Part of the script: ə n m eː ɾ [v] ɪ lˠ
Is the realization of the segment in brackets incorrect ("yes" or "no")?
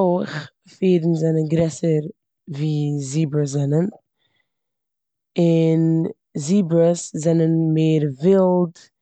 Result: no